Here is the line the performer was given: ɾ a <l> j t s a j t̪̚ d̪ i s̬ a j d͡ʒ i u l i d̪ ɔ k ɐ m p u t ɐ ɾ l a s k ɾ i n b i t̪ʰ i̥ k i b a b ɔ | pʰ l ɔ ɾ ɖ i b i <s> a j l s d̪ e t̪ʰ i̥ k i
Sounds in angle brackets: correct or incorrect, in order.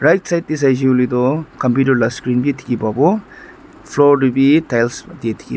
incorrect: none, incorrect: t

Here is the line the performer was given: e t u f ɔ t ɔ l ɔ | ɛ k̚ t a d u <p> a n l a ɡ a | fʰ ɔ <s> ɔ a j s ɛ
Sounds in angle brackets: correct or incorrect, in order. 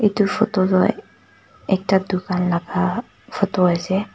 incorrect: k, incorrect: t

